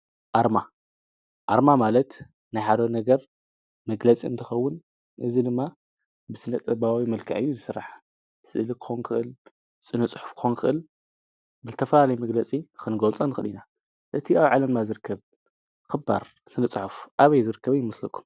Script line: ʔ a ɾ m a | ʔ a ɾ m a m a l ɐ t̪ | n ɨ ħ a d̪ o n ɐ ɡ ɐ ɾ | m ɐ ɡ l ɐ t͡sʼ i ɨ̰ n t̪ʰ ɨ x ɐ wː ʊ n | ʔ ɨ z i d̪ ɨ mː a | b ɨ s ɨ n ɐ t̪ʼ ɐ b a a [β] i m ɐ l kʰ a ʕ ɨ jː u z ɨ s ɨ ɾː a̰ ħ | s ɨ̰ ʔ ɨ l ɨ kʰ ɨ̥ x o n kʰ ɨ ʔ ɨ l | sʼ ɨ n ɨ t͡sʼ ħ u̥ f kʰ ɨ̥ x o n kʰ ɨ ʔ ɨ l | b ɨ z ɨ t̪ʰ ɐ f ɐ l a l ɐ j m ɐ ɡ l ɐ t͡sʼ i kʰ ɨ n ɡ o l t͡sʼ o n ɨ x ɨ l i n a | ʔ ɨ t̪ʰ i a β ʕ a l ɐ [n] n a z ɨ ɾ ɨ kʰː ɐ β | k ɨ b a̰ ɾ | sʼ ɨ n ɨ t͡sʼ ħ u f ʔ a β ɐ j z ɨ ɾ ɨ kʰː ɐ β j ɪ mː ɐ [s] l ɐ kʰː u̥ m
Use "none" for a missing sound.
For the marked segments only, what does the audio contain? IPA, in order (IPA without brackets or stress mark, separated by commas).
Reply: w, m, s